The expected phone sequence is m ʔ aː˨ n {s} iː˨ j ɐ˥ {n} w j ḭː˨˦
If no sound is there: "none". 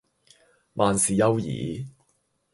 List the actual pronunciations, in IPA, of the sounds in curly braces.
s, none

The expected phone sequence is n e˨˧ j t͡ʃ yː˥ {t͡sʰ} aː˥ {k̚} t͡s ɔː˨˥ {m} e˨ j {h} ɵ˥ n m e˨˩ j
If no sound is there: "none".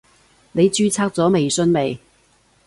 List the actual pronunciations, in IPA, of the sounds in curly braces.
t͡sʰ, k̚, m, s

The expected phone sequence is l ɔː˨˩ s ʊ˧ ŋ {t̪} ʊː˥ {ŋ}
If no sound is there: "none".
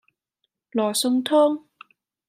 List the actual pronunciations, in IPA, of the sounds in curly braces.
t̪ʰ, ŋ

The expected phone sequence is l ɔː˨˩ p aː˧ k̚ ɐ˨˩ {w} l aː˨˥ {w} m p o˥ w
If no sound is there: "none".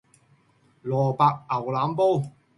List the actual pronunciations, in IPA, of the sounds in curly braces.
w, none

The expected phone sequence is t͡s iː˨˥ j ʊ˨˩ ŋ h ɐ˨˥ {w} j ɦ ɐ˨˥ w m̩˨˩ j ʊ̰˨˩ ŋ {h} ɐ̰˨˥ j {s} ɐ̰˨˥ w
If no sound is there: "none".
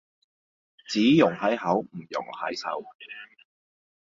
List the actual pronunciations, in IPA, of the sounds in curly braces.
none, h, s

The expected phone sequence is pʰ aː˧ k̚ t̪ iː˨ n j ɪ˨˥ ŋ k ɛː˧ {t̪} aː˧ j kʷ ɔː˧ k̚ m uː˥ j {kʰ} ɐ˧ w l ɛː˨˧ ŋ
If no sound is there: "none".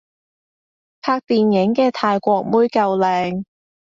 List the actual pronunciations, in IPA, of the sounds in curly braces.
t̪ʰ, k

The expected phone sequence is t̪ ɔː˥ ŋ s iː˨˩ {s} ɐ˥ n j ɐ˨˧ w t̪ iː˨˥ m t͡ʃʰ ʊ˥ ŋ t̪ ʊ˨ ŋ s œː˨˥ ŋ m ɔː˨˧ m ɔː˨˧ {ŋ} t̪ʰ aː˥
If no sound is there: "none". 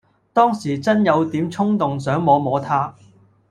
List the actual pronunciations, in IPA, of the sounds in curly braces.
t͡s, none

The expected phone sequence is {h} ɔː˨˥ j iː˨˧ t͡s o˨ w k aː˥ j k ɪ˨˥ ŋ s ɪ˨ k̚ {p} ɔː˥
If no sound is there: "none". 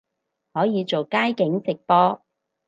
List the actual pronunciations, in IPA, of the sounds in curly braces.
h, p

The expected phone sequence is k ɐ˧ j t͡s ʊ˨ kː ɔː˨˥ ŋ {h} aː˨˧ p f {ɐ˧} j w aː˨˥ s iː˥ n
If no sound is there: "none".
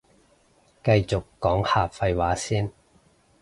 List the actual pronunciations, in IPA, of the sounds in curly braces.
h, ɐ˧

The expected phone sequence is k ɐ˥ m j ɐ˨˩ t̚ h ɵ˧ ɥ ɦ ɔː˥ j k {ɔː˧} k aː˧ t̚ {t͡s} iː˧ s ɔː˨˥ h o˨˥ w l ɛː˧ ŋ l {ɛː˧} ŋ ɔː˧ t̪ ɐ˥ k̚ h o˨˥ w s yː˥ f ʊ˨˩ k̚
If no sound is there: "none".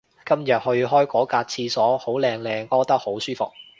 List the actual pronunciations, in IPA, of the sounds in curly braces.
ɔː˨˥, t͡sʰ, ɛː˧

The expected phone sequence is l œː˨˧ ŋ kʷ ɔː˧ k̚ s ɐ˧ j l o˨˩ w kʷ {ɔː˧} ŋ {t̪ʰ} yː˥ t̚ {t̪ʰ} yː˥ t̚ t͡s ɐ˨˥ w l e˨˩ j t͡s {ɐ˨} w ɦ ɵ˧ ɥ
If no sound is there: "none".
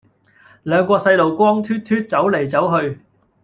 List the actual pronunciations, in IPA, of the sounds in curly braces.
ɔː˥, t̪ʰ, t̪ʰ, ɐ˨˥

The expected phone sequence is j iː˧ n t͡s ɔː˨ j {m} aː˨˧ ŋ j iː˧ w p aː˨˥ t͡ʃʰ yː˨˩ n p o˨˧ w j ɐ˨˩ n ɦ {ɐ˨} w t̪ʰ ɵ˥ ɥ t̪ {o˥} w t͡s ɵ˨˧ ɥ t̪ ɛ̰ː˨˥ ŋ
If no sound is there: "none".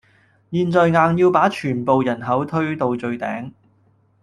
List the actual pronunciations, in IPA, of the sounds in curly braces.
ŋ, ɐ˨˥, o˨˧

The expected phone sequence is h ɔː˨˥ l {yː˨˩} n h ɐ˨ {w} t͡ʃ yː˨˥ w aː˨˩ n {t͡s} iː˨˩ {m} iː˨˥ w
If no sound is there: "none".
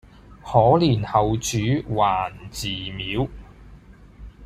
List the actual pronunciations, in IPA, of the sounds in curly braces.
iː˨˩, w, t͡s, m

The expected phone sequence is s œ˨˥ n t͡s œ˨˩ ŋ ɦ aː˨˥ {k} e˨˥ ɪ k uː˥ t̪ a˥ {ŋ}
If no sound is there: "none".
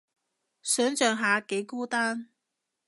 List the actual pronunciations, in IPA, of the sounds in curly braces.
k, n

